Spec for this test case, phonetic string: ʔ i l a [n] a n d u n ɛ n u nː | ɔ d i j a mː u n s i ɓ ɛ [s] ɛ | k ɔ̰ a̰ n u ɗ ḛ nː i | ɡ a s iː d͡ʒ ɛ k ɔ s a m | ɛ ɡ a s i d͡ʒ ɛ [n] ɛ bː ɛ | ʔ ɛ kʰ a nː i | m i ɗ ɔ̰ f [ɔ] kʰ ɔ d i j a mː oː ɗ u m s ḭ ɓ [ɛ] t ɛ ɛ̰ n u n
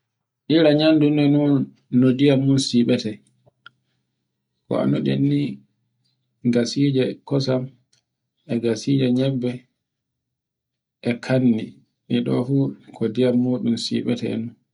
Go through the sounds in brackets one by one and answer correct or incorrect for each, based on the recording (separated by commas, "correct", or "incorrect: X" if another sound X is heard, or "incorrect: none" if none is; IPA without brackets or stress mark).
incorrect: ɲ, incorrect: t, incorrect: ɲ, incorrect: u, correct